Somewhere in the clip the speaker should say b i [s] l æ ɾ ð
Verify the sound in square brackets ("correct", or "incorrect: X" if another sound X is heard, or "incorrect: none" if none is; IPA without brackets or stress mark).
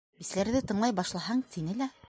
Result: correct